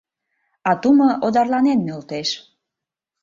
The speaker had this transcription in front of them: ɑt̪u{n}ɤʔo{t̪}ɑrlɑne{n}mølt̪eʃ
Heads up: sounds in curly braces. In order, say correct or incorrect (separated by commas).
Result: incorrect, incorrect, correct